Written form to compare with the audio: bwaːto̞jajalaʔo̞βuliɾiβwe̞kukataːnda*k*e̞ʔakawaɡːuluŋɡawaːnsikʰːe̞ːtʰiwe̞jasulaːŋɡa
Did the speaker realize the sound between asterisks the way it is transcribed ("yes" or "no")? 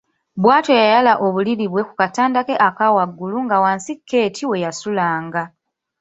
yes